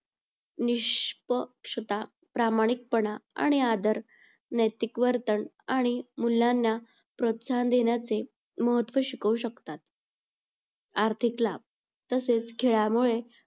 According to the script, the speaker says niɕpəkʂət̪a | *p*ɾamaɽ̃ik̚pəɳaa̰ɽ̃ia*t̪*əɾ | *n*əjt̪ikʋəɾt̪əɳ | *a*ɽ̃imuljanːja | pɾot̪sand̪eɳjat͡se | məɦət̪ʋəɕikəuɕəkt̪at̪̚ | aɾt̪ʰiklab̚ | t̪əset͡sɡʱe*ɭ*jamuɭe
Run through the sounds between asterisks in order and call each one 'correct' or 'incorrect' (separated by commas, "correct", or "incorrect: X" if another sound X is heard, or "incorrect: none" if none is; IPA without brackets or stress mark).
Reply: correct, incorrect: d̪, correct, correct, correct